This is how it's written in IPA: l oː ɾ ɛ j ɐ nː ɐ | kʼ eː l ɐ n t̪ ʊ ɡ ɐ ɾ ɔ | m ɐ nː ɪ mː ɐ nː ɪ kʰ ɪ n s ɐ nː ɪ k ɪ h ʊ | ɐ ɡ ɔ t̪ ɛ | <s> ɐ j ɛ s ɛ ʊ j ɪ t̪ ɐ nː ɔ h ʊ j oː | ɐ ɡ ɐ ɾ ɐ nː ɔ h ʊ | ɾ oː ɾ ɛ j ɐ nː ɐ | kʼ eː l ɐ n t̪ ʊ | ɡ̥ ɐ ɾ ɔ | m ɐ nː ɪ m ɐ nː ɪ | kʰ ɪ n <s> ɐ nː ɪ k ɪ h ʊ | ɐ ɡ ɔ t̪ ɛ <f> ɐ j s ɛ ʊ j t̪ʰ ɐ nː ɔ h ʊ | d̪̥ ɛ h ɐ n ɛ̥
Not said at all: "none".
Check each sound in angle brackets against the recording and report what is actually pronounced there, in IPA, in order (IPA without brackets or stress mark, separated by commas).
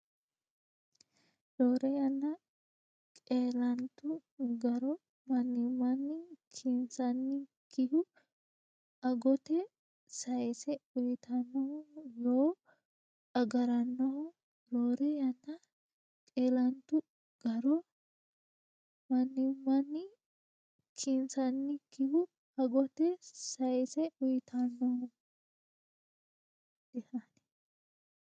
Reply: s, s, s